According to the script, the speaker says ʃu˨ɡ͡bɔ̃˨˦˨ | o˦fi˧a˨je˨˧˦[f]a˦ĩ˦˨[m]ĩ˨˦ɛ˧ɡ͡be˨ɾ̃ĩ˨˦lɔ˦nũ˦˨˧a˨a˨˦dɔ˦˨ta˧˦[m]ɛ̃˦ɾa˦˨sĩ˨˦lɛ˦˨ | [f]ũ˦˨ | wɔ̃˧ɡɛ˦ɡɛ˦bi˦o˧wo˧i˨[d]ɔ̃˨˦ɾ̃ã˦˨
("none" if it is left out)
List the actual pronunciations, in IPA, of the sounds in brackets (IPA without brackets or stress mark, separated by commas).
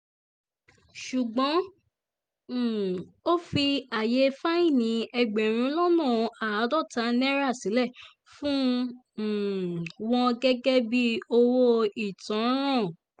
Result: f, n, n, f, t